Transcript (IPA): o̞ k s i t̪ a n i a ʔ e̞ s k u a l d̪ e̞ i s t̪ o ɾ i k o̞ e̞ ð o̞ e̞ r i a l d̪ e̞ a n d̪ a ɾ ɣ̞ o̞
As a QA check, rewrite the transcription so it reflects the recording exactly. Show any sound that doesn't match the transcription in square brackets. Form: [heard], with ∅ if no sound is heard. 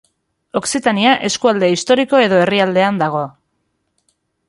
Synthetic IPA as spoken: o̞ k s i t̪ a n i a ʔ e̞ s k u a l d̪ e̞ i s t̪ o ɾ i k o̞ e̞ ð o̞ e̞ r i a l d̪ e̞ a n d̪ a [∅] ɣ̞ o̞